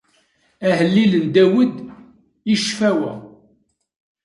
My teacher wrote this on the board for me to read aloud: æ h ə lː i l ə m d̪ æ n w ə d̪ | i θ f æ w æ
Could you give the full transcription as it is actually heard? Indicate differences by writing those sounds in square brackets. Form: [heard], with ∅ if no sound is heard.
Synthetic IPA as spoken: æ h ə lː i l ə [n] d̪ æ [∅] w ə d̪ | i [ʃ] f æ w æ